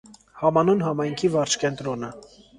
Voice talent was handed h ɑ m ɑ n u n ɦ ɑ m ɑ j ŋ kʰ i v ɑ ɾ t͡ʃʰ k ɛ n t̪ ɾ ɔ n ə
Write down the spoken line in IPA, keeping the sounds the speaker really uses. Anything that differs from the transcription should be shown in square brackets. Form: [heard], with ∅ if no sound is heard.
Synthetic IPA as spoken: h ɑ m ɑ n u n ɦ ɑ m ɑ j ŋ kʰ i v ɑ ɾ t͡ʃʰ k ɛ n t̪ ɾ ɔ n ə